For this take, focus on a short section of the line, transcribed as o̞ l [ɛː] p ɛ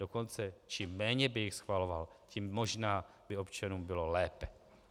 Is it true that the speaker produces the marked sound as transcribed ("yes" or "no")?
yes